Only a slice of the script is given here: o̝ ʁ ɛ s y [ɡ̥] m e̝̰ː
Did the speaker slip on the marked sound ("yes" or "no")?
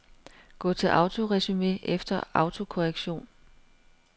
yes